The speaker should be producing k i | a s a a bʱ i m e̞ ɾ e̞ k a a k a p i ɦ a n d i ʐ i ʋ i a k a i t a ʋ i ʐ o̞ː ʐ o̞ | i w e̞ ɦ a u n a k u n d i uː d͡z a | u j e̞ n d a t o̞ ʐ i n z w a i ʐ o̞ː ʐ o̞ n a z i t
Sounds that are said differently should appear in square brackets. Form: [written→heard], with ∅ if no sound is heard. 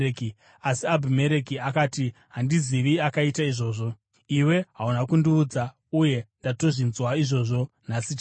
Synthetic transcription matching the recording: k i | a s [a→i] a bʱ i m e̞ ɾ e̞ k [a→i] a k a [p→t] i ɦ a n d i [ʐ→z] i ʋ i a k a i t a [ʋ→∅] i ʐ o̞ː ʐ o̞ | i w e̞ ɦ a u n a k u n d i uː d͡z a | u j e̞ n d a t o̞ ʐ i n z w a i ʐ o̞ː ʐ o̞ n a [z→s] i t